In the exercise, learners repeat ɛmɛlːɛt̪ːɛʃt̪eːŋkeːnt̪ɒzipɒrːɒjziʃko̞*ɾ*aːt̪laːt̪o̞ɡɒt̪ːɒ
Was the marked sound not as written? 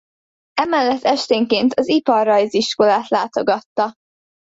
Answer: yes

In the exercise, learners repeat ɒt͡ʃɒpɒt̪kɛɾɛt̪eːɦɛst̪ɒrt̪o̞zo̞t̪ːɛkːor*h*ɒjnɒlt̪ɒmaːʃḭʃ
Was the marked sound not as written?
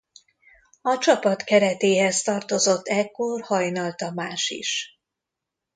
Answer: no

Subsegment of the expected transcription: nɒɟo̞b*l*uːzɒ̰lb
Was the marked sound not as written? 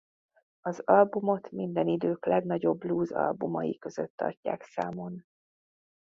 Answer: no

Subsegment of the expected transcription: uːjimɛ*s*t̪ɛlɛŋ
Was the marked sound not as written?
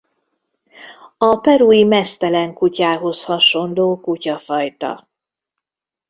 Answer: no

